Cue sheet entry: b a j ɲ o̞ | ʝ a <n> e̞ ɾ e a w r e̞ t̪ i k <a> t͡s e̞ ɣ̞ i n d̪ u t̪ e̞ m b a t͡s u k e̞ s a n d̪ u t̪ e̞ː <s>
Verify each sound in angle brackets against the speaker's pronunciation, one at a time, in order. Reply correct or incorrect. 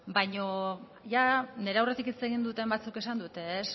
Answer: correct, incorrect: i, correct

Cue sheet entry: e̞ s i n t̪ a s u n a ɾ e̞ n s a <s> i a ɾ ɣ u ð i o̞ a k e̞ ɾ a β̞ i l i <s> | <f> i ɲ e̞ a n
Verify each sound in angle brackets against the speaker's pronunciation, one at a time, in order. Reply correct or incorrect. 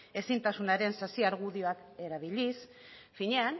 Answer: correct, correct, correct

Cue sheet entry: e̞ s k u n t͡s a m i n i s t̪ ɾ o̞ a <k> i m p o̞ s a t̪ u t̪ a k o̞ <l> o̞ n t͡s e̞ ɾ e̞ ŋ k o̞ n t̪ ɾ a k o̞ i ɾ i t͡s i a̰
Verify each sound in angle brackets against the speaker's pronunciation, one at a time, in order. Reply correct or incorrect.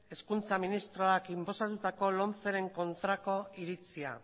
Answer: correct, correct

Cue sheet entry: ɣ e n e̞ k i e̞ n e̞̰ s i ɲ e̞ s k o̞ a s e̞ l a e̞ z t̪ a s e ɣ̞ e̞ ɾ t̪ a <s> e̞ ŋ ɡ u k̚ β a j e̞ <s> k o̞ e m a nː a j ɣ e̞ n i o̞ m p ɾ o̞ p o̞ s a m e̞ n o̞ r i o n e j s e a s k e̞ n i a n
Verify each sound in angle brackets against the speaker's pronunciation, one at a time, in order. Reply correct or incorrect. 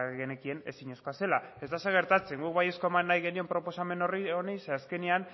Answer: incorrect: t͡s, correct

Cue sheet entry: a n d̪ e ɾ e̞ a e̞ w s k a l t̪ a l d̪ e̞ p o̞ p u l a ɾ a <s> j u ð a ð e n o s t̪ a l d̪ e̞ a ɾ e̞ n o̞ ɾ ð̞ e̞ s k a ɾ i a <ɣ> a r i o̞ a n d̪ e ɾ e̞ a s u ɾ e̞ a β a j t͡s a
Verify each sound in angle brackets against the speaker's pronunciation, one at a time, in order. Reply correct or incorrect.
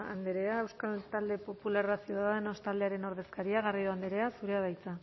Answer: correct, correct

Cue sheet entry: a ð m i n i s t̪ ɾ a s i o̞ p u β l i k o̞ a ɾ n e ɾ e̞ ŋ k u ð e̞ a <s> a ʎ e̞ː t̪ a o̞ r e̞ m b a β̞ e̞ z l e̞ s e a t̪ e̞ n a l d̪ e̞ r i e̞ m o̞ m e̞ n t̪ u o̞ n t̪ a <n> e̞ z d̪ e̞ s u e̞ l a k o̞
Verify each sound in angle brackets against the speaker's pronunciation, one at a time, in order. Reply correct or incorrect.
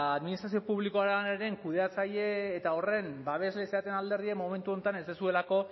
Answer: incorrect: t͡s, correct

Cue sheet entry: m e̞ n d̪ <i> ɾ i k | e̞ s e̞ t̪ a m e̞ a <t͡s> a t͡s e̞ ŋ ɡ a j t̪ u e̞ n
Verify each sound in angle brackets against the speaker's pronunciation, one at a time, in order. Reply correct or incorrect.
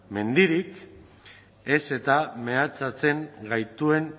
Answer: correct, correct

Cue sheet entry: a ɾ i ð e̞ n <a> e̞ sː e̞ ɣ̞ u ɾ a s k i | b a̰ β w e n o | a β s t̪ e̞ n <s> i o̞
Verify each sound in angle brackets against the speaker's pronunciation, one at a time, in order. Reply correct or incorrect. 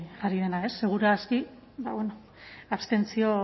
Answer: correct, incorrect: t͡s

